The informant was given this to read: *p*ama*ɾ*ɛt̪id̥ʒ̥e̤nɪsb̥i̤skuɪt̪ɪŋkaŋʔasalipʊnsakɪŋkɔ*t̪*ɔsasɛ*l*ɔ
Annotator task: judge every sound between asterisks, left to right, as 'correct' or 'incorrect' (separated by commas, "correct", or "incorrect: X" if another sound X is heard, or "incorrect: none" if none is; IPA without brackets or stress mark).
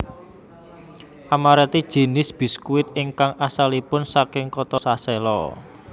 incorrect: ʔ, correct, correct, correct